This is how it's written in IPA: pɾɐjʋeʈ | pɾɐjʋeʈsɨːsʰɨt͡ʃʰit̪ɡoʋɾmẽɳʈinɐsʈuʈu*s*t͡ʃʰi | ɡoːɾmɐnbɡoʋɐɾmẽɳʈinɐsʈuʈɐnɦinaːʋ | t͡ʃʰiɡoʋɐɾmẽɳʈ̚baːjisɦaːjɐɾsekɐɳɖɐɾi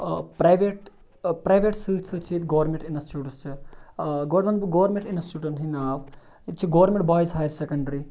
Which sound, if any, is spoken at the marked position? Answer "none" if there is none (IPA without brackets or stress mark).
s